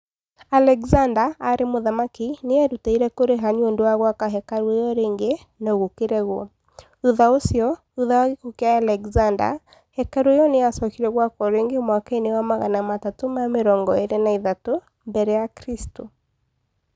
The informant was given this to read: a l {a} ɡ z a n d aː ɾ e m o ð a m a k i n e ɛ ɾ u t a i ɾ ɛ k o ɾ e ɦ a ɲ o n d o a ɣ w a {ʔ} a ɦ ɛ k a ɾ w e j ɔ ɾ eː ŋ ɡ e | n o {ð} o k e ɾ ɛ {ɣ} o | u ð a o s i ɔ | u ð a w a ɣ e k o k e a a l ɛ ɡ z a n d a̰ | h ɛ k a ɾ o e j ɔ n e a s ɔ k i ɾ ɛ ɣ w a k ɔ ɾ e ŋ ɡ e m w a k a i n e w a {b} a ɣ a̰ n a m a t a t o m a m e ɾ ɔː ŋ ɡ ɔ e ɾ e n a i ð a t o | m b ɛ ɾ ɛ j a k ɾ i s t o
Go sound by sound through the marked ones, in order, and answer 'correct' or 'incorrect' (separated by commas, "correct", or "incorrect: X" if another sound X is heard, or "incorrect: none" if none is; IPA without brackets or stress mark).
incorrect: ɛ, incorrect: k, incorrect: ɣ, correct, incorrect: m